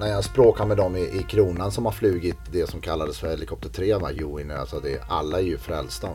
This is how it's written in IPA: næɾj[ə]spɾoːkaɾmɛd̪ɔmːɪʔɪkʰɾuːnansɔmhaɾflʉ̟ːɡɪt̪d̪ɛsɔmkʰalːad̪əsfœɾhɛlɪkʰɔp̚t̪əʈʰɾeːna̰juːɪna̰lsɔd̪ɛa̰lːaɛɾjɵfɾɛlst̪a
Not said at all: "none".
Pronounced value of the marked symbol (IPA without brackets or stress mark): a